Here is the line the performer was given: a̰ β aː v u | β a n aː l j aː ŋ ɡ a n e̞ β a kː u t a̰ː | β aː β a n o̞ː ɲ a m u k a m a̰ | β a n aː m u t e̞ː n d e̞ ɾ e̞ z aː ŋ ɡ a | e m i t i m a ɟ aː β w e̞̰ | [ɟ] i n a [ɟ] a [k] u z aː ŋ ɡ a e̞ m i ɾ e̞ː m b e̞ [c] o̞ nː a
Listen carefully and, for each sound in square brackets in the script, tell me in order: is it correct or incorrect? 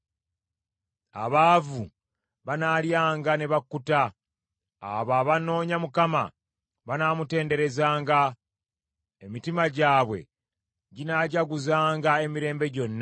correct, correct, incorrect, incorrect

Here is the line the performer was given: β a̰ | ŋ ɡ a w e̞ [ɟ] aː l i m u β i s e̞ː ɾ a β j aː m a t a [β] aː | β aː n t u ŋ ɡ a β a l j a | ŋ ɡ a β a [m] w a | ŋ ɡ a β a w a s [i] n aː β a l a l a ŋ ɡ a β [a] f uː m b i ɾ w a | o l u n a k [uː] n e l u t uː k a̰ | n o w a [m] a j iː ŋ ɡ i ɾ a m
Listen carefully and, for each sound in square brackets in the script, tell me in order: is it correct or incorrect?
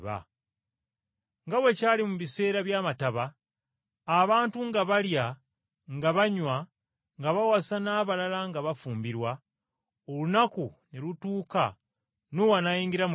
incorrect, correct, incorrect, incorrect, correct, incorrect, incorrect

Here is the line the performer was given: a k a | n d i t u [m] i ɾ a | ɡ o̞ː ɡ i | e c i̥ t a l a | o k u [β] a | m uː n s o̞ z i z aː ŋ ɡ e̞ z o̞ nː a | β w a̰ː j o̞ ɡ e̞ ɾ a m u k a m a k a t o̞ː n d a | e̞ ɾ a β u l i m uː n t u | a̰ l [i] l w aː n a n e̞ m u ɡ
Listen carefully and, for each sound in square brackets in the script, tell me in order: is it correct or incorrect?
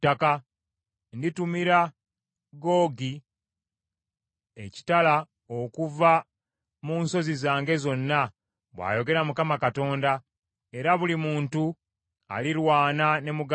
correct, incorrect, correct

